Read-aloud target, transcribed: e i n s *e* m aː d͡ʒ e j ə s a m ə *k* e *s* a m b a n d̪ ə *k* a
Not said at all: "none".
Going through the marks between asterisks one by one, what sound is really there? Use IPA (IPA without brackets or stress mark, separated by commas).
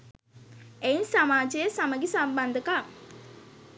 a, ɡ, s, k